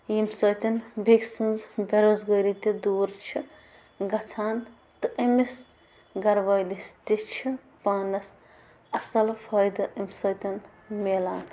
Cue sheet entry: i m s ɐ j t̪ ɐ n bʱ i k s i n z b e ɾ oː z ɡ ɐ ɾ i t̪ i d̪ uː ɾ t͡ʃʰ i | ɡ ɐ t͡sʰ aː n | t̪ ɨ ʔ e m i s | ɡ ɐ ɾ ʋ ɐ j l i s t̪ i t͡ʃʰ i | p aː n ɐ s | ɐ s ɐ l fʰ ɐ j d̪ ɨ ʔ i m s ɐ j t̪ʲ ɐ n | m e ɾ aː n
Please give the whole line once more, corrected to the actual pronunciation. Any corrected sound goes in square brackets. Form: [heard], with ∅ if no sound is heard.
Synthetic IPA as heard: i m s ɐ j t̪ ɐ n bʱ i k s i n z b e ɾ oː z ɡ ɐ ɾ i t̪ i d̪ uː ɾ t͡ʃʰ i | ɡ ɐ t͡sʰ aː n | t̪ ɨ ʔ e m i s | ɡ ɐ ɾ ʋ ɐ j l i s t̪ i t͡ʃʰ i | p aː n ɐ s | ɐ s ɐ l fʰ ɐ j d̪ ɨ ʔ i m s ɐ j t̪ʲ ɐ n | m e [l] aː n